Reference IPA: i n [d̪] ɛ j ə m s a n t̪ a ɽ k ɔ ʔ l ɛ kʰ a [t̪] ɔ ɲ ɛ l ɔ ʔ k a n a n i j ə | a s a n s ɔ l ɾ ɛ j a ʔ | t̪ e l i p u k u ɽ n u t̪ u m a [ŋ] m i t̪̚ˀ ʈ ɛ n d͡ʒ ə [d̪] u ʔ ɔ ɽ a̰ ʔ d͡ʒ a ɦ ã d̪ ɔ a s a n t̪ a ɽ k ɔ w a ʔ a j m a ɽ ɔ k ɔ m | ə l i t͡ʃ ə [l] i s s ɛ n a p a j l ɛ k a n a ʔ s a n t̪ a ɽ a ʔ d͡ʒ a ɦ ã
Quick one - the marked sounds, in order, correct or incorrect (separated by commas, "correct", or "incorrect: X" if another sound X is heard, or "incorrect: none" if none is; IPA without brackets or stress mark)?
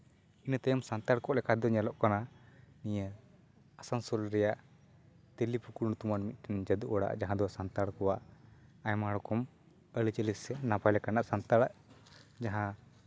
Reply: incorrect: t̪, incorrect: d̪, incorrect: n, correct, correct